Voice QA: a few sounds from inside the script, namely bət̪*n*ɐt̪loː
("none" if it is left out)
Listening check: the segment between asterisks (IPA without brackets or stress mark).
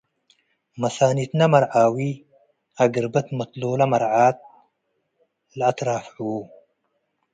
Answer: m